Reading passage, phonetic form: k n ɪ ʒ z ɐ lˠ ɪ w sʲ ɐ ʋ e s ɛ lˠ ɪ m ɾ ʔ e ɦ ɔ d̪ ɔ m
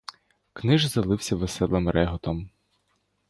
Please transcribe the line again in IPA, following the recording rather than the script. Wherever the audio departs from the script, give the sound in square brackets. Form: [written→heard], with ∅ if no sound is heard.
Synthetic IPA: k n ɪ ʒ z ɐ lˠ ɪ w sʲ ɐ ʋ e s ɛ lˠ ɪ m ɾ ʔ [e→ɛ] ɦ ɔ [d̪→t̪] ɔ m